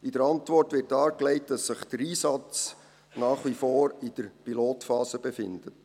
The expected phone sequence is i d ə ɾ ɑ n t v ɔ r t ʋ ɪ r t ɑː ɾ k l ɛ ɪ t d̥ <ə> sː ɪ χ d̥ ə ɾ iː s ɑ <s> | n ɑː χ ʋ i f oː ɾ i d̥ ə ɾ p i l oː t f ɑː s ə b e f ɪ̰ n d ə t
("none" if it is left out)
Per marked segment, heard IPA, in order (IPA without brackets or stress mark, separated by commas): ɑ, t͡s